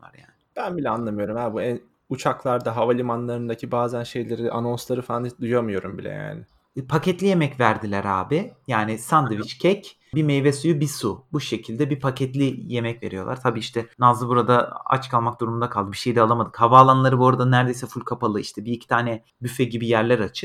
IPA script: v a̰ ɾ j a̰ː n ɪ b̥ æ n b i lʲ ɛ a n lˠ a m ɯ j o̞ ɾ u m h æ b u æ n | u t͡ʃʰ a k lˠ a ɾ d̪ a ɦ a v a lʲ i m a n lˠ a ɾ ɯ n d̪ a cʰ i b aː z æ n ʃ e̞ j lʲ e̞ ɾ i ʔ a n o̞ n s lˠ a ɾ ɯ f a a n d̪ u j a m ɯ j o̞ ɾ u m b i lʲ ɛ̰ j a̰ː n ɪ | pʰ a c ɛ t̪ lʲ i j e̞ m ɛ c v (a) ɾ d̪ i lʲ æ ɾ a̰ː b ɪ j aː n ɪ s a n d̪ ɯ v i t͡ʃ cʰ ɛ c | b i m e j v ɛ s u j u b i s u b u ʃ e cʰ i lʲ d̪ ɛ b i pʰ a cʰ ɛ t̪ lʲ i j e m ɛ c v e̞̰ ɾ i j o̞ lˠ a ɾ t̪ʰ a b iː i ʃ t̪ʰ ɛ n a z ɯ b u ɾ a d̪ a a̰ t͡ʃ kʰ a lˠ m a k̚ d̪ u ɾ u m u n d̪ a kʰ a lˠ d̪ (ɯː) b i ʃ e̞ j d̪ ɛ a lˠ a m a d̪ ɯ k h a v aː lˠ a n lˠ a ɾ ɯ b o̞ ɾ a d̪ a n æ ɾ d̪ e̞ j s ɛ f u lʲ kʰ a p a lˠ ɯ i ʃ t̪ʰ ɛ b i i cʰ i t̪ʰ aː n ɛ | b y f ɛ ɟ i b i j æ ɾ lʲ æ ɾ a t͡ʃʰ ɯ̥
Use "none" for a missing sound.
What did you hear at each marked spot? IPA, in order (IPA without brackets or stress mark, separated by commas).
æ, ɯ